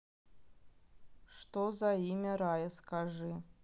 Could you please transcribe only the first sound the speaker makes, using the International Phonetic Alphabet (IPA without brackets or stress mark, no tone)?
ʂ